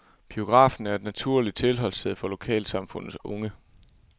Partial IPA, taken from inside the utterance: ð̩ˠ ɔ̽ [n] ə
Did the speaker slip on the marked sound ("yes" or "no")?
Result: yes